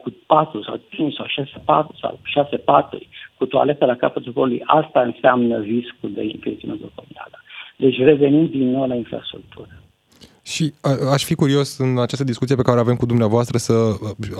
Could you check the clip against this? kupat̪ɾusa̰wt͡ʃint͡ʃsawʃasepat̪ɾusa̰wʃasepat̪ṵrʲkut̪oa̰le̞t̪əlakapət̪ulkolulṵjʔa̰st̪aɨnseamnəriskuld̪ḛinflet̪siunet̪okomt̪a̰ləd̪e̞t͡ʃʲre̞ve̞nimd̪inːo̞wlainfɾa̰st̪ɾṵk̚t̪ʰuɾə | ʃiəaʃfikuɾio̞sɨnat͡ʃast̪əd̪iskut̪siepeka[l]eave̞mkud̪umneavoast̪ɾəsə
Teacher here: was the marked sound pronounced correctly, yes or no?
no